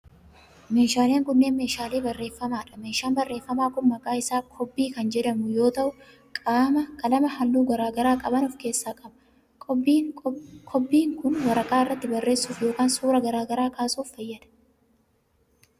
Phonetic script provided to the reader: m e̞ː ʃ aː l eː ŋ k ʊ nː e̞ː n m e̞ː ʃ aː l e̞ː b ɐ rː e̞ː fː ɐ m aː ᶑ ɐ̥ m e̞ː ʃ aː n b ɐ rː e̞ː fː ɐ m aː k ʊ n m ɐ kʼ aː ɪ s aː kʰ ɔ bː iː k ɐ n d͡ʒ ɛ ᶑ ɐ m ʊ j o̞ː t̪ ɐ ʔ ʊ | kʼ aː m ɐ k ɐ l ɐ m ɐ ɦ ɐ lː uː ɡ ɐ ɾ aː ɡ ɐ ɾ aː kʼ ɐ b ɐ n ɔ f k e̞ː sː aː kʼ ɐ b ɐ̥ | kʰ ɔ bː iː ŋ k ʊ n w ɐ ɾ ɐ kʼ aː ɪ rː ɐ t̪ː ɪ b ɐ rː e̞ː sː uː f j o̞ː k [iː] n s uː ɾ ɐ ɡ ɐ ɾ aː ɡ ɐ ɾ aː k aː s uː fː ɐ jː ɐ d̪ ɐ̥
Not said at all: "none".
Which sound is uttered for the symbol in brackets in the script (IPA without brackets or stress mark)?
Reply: aː